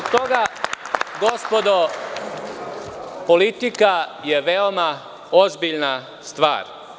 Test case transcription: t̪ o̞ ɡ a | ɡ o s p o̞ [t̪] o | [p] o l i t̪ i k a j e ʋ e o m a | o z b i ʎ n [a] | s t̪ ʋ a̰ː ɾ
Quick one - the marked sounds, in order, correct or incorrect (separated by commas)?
incorrect, correct, correct